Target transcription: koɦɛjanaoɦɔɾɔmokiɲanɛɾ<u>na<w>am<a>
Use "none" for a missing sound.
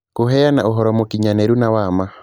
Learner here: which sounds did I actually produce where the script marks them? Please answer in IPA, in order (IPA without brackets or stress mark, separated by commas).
u, w, a